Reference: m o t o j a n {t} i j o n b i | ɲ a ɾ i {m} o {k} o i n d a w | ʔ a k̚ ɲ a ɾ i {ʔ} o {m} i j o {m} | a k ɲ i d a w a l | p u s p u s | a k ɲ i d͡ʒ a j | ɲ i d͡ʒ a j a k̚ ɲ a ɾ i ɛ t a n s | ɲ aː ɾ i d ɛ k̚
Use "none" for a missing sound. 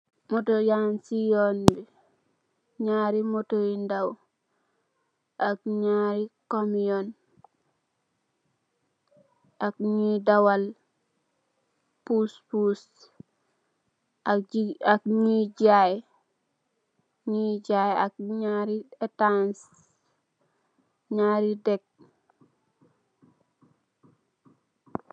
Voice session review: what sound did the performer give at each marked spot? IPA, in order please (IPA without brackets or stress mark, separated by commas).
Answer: s, m, t, k, m, n